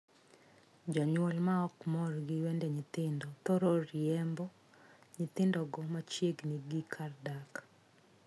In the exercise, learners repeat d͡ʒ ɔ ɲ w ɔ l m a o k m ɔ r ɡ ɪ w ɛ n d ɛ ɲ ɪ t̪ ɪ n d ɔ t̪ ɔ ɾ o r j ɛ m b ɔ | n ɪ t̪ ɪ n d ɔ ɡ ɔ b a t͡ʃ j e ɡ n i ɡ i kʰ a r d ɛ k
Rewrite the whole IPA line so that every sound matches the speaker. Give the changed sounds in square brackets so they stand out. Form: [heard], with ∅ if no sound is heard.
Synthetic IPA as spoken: d͡ʒ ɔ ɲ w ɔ l m a [ɔ] k m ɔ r ɡ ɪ w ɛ n d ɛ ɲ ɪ t̪ ɪ n d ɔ t̪ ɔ ɾ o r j ɛ m b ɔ | [ɲ] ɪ t̪ ɪ n d ɔ ɡ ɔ [m] a t͡ʃ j e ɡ n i ɡ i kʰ a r d [a] k